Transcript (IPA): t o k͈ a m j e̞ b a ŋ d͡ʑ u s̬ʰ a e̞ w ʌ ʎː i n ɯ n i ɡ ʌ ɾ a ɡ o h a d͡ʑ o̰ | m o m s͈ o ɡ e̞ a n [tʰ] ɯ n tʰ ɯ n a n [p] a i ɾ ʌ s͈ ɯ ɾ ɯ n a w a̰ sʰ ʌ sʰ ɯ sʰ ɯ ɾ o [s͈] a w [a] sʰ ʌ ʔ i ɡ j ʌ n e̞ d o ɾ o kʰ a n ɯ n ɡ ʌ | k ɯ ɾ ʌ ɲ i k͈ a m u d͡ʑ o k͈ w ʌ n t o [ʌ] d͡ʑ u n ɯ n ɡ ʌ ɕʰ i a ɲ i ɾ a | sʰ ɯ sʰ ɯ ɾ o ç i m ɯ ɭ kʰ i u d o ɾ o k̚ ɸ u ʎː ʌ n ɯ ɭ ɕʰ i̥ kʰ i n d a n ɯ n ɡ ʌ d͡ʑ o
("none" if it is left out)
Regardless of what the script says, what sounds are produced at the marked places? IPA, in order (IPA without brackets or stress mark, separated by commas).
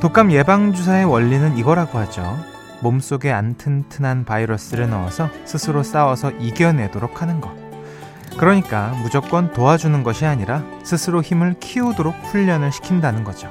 tʰ, p, s͈, ʌ, a